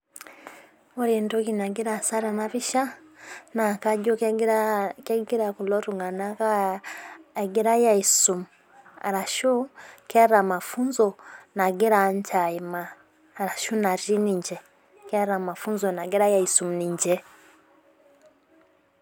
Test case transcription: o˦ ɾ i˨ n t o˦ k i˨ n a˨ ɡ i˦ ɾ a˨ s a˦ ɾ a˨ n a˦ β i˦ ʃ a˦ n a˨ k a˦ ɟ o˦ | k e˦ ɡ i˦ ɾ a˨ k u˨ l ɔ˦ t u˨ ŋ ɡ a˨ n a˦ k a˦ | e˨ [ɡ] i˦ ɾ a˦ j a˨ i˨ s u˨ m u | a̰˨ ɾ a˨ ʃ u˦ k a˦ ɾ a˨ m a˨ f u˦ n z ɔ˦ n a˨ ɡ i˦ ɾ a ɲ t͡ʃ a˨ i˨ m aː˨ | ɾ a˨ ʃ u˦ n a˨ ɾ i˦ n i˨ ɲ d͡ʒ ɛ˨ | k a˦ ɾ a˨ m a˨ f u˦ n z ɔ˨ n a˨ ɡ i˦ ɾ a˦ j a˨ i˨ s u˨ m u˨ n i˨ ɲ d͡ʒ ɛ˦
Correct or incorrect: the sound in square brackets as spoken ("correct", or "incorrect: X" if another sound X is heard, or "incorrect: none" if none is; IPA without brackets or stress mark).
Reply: correct